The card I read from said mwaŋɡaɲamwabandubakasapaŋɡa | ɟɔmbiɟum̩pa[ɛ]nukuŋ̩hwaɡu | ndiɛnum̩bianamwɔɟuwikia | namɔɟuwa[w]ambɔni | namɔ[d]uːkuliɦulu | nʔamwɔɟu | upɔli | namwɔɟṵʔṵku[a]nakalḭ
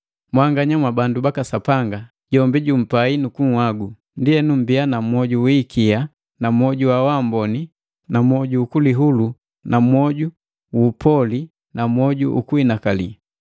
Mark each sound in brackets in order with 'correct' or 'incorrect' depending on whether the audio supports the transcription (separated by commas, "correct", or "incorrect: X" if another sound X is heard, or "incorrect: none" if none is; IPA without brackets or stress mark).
incorrect: i, correct, incorrect: ɟ, incorrect: i